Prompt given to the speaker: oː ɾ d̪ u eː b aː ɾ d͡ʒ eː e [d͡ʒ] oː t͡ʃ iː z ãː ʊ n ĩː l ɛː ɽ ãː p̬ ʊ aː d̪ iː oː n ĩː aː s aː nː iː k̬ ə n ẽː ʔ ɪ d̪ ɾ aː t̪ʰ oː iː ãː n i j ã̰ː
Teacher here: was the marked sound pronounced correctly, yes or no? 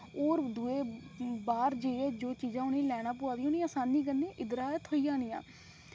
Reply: yes